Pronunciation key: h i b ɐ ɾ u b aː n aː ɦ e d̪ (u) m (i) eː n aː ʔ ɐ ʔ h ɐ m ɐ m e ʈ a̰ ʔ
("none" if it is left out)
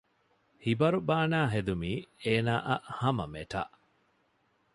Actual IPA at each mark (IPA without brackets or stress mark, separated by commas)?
u, iː